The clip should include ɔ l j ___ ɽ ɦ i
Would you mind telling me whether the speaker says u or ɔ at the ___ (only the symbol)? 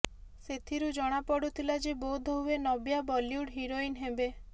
u